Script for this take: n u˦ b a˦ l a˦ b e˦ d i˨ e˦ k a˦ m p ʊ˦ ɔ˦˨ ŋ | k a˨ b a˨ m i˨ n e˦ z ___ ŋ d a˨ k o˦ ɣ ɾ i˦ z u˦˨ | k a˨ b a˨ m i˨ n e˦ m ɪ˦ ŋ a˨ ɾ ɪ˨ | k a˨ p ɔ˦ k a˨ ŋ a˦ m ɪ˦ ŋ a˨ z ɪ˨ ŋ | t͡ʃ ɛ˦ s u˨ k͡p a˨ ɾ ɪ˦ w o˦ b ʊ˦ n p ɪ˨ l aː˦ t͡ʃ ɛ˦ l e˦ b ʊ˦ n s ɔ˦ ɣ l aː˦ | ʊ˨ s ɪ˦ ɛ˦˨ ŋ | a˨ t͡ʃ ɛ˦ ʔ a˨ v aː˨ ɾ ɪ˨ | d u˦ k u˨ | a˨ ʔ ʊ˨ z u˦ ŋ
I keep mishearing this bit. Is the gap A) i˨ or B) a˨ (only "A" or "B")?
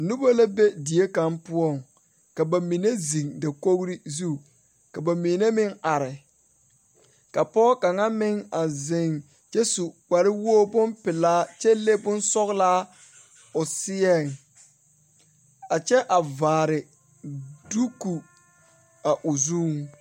A